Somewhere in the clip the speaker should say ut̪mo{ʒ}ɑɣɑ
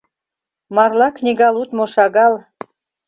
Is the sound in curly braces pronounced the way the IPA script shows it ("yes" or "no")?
no